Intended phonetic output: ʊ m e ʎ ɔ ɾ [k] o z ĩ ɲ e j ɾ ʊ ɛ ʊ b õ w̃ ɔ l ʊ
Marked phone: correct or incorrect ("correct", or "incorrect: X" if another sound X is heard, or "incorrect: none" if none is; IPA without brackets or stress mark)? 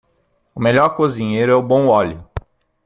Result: correct